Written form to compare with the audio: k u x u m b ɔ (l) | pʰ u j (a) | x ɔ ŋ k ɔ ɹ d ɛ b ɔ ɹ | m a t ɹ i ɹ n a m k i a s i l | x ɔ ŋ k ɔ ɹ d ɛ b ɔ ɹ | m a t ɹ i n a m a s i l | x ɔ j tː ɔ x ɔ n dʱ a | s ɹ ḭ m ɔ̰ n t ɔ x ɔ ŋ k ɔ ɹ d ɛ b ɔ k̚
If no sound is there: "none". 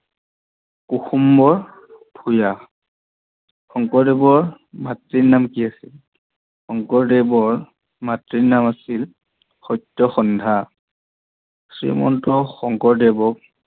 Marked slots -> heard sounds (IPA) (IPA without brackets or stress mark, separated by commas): ɹ, a